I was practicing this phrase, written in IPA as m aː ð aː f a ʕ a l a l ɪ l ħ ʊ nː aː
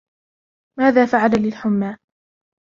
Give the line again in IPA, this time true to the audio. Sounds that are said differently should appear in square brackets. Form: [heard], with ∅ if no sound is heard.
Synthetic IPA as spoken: m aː ð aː f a ʕ a l a l ɪ l ħ ʊ [mː] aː